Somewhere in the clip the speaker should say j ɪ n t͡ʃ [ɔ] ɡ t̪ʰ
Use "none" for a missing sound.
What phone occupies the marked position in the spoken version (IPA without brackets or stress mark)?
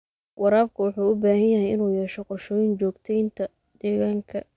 ɔː